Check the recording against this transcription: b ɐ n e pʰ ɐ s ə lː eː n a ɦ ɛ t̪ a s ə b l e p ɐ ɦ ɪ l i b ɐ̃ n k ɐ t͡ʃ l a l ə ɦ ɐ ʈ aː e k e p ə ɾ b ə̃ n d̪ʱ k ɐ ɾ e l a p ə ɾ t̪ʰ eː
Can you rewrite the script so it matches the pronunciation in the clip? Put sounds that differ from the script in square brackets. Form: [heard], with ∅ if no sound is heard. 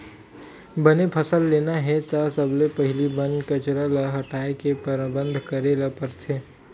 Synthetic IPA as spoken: b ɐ n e pʰ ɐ s ə lː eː n a ɦ ɛ t̪ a s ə b l e p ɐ ɦ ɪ l i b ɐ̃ n k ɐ t͡ʃ [ɾ] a l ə ɦ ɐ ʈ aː e k e p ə ɾ b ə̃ n d̪ʱ k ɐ ɾ e l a p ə ɾ t̪ʰ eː

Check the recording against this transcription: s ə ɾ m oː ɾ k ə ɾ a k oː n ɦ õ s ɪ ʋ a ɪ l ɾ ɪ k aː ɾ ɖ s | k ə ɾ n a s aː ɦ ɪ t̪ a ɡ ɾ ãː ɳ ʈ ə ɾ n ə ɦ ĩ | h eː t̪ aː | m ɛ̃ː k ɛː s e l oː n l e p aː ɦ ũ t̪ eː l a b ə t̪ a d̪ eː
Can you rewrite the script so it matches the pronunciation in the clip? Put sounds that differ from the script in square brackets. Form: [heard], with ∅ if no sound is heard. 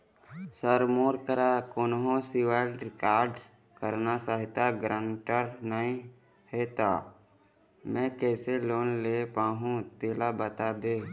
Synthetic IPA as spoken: s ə ɾ m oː ɾ k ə ɾ a k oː n ɦ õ s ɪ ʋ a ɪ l ɾ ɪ k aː ɾ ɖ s | k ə ɾ n a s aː ɦ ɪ t̪ a ɡ ɾ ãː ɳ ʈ ə ɾ n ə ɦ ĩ | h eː t̪ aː | m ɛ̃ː k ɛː s e l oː n l e p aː ɦ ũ t̪ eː l a b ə t̪ a d̪ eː

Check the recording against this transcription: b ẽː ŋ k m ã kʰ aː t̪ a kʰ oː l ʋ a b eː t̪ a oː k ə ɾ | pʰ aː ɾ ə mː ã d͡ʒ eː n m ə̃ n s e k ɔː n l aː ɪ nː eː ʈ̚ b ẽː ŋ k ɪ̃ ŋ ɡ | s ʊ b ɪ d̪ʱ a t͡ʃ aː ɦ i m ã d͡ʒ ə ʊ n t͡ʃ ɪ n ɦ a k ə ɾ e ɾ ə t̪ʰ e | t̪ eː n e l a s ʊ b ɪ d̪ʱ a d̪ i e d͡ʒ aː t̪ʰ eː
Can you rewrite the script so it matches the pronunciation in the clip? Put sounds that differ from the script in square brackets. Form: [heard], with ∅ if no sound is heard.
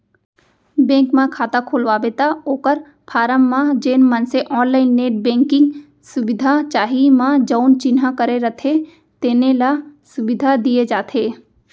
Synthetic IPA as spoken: b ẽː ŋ k m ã kʰ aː t̪ a kʰ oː l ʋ a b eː t̪ a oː k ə ɾ | pʰ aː ɾ ə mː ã d͡ʒ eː n m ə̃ n s e [ʔ] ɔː n l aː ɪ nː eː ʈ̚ b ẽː ŋ k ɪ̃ ŋ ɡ | s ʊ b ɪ d̪ʱ a t͡ʃ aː ɦ i m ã d͡ʒ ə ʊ n t͡ʃ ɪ n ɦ a k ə ɾ e ɾ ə t̪ʰ e | t̪ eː n e l a s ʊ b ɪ d̪ʱ a d̪ i e d͡ʒ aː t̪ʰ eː

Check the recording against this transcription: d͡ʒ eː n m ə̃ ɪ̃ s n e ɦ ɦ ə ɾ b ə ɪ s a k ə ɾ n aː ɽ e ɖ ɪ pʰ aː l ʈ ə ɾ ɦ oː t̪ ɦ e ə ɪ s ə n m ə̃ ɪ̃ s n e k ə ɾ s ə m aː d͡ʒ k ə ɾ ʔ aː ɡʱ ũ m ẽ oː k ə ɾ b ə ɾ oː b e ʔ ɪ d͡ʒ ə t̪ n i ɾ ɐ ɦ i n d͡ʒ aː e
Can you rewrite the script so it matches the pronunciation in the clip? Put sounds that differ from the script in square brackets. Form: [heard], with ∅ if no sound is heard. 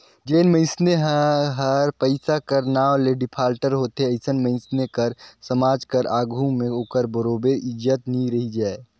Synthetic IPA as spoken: d͡ʒ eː n m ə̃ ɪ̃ s n e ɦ ɦ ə ɾ [p] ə ɪ s a k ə ɾ n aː [l] e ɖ ɪ pʰ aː l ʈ ə ɾ ɦ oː t̪ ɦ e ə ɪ s ə n m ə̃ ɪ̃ s n e k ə ɾ s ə m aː d͡ʒ k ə ɾ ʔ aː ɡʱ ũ m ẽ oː k ə ɾ b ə ɾ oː b e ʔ ɪ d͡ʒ ə t̪ n i ɾ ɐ ɦ i [∅] d͡ʒ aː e

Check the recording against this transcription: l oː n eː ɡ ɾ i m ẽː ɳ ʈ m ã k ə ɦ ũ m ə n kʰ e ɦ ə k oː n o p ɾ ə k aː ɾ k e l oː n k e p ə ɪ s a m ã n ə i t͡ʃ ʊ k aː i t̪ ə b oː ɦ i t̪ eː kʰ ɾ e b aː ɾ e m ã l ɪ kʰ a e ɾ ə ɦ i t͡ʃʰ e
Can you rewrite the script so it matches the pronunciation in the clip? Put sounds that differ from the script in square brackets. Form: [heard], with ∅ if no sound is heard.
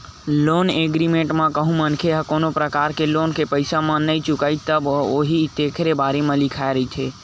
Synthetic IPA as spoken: l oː n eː ɡ ɾ i m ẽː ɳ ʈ m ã k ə ɦ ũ m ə n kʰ e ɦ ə k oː n o p ɾ ə k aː ɾ k e l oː n k e p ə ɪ s a m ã n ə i t͡ʃ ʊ k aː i t̪ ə b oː ɦ i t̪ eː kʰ ɾ e b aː ɾ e m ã l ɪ kʰ a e ɾ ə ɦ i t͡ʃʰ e

